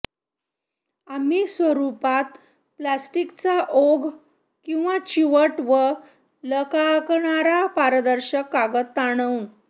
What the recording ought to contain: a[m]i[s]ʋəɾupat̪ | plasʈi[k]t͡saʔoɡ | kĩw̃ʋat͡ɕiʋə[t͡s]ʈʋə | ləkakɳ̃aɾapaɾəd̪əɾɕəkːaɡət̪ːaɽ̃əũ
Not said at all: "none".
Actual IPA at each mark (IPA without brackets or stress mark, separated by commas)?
m, s, k, none